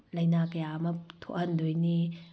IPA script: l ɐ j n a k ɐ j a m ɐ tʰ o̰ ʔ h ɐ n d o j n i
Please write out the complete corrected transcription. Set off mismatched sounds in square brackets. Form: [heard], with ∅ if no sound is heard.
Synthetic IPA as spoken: l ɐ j n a k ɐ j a m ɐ tʰ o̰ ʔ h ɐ n d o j n i

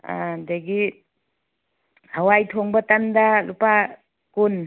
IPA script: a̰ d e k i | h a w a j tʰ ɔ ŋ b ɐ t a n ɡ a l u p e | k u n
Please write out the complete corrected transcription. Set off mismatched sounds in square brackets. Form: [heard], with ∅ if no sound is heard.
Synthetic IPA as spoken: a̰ d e [ɡ] i | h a w a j tʰ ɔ ŋ b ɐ t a n [d] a l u p [a] | k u n

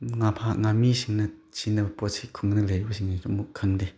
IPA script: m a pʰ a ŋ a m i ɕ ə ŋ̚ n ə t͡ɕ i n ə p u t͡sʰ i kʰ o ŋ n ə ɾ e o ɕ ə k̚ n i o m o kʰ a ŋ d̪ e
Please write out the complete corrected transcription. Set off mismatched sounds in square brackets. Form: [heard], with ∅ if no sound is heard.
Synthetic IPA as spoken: [ŋ] a pʰ a ŋ a m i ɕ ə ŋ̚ n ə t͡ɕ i n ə p [o] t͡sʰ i kʰ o ŋ n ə [l] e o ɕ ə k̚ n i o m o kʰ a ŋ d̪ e

